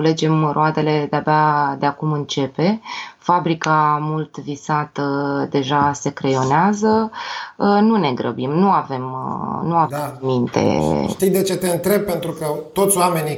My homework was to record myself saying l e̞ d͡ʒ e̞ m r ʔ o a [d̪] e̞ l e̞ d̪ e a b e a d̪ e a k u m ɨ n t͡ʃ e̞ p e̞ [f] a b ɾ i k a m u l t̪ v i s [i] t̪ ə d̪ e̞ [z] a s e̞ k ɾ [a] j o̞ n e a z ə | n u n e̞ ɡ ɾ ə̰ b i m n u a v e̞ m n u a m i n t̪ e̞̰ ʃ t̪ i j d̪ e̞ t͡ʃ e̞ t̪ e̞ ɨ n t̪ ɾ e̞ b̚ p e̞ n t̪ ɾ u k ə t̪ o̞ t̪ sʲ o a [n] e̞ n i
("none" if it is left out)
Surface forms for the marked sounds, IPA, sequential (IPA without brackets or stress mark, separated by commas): d̪, f, a, ʒ, e, m